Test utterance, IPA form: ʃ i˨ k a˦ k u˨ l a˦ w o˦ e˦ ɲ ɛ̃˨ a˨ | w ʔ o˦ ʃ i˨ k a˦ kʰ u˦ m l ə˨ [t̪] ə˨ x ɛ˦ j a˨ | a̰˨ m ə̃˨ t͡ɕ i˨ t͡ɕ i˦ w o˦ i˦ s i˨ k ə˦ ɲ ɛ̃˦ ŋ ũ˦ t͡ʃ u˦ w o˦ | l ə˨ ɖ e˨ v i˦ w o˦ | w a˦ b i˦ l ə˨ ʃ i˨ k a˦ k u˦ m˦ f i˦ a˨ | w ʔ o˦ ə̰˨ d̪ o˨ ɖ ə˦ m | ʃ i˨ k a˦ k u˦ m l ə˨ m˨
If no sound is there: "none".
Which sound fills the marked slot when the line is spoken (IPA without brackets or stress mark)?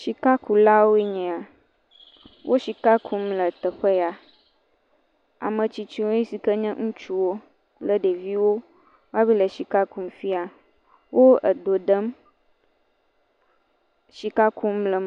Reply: t̪